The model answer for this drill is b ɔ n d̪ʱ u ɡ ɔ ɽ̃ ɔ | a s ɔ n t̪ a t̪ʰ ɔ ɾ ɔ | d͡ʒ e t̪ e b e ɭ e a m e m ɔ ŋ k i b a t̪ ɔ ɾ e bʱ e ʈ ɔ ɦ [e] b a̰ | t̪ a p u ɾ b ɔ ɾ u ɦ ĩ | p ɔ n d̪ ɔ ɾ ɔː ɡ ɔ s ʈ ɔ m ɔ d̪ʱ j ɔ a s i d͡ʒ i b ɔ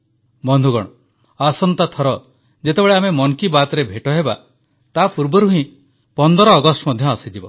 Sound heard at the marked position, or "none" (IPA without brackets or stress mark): e